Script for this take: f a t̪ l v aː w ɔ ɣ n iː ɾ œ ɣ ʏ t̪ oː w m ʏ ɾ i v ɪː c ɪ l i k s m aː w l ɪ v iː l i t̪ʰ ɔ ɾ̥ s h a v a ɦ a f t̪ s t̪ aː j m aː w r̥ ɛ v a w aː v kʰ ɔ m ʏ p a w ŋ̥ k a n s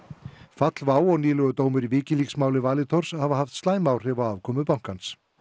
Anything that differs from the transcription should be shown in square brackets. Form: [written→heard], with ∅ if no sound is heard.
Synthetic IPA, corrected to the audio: f a t̪ l v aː w ɔ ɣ n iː [ɾ→l] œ ɣ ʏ t̪ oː w m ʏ ɾ i v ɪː c ɪ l i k s m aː w l ɪ v [iː→aː] l [i→ɪ] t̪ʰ ɔ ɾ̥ s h a v a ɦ a f t̪ s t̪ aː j m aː w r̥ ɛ v a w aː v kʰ ɔ m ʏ p a w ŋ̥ k a n s